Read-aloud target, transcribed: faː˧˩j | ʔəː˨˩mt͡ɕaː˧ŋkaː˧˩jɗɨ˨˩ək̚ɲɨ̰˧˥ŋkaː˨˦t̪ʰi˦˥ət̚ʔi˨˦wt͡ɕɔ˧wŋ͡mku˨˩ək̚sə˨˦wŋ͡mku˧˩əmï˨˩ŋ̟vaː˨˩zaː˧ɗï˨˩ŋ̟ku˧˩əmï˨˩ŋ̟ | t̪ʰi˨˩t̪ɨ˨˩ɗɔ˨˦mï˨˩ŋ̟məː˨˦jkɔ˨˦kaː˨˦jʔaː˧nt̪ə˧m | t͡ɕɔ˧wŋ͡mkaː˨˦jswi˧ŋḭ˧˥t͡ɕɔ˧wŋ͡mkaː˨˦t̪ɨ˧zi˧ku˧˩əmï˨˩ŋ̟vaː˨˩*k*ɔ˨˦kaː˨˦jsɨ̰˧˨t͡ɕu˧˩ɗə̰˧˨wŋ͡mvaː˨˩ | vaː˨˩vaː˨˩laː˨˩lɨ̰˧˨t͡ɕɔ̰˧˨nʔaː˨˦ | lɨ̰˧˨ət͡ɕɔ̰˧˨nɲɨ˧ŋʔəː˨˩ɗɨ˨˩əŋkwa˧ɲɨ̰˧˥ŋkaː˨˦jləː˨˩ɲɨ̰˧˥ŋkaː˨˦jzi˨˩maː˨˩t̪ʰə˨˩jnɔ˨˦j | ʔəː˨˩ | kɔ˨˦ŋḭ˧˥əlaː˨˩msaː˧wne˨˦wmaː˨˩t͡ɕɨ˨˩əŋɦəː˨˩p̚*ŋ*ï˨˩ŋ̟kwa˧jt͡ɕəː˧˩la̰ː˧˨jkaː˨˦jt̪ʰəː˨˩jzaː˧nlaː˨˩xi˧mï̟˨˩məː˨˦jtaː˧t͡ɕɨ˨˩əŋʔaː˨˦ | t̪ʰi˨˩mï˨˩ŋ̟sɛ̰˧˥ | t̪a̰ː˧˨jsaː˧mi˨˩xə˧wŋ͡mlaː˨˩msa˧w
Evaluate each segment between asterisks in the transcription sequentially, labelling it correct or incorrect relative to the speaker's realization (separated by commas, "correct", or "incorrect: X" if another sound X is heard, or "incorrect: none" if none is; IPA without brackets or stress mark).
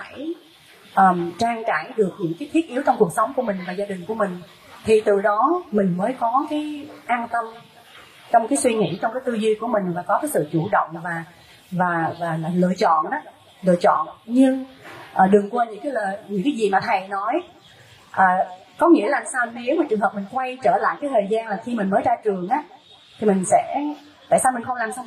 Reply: correct, incorrect: m